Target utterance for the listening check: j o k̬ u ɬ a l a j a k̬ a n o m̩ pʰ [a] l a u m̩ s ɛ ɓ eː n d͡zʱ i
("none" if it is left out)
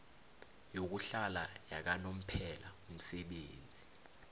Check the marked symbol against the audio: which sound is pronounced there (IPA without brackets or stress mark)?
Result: ɛ